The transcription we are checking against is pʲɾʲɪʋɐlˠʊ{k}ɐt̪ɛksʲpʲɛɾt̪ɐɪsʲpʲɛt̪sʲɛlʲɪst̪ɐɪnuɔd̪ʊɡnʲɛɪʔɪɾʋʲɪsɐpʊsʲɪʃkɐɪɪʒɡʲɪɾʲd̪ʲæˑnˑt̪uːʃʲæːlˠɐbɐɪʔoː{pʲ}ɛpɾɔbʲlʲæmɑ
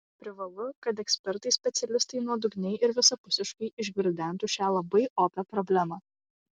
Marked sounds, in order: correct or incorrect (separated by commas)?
correct, correct